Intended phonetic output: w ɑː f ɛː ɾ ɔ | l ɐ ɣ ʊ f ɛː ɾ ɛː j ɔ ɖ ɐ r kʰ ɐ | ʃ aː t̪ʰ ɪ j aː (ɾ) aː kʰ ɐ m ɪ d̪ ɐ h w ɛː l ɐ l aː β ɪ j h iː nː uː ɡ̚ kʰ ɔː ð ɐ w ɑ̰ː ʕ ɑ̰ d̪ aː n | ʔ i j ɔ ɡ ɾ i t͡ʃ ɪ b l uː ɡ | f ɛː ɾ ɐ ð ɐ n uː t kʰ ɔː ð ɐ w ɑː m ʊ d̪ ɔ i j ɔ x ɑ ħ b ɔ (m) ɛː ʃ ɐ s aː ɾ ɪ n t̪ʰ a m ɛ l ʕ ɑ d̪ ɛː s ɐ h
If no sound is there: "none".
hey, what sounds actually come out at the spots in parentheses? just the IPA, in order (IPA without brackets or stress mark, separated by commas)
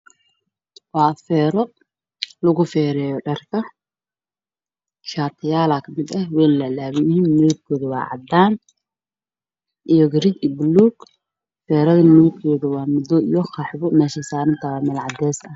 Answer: l, m